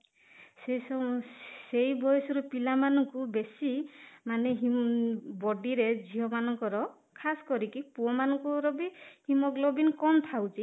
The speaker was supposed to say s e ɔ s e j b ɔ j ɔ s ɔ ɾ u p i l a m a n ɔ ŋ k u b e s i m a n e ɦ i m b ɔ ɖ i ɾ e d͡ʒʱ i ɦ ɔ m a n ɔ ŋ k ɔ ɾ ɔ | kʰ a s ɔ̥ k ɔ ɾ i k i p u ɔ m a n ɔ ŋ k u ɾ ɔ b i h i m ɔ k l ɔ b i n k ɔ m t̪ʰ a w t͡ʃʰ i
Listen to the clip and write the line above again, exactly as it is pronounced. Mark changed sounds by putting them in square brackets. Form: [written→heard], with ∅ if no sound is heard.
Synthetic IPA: s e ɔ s e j b ɔ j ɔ s ɔ ɾ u p i l a m a n ɔ ŋ k u b e s i m a n e ɦ i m b ɔ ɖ i ɾ e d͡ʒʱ i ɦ ɔ m a n ɔ ŋ k ɔ ɾ ɔ | kʰ a s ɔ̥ k ɔ ɾ i k i p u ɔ m a n ɔ ŋ k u ɾ ɔ b i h i m ɔ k l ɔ b i n k ɔ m t̪ʰ a w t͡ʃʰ i